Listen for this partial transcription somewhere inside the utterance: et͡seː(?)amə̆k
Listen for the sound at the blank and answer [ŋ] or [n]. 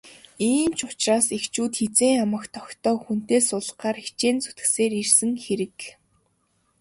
ŋ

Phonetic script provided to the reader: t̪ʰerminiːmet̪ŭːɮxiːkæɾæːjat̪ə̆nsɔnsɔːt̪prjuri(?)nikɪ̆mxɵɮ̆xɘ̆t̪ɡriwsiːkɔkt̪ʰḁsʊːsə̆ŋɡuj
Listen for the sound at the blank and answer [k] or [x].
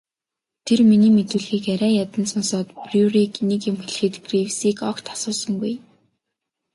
k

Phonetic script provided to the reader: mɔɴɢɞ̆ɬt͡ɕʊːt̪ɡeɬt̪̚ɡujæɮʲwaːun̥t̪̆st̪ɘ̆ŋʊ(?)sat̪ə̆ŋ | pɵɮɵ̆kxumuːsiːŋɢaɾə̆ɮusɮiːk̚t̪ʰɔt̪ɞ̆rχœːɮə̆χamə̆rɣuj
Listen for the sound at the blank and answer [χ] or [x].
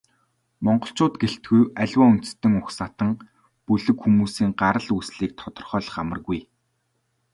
x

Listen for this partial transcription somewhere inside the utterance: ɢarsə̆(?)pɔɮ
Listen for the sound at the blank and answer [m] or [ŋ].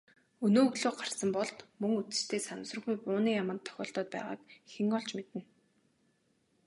m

